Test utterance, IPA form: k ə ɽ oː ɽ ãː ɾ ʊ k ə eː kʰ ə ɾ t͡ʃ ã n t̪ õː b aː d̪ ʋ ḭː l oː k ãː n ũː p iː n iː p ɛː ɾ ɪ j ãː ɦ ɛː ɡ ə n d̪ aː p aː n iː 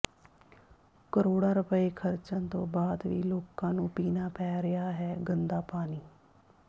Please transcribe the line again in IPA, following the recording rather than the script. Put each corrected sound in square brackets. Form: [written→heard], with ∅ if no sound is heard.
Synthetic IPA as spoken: k ə [ɽ→ɾ] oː ɽ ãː ɾ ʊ [k→p] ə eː kʰ ə ɾ t͡ʃ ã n t̪ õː b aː d̪ ʋ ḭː l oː k ãː n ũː p iː n [iː→aː] p ɛː ɾ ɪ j [ãː→aː] ɦ ɛː ɡ ə n d̪ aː p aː n iː